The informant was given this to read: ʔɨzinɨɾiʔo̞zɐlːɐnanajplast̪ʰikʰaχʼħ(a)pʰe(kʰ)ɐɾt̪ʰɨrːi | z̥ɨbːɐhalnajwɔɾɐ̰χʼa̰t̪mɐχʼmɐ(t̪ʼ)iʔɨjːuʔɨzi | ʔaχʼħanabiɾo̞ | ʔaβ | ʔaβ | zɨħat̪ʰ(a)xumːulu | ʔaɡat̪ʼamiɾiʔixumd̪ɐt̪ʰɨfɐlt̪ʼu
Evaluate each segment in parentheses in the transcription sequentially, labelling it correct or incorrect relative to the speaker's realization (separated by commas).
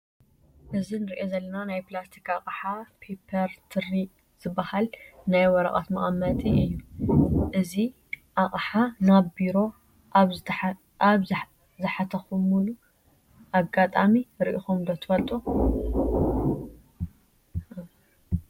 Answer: correct, incorrect, correct, incorrect